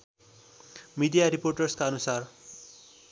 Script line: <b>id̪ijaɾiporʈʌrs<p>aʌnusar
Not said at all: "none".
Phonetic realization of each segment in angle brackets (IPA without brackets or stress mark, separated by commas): m, k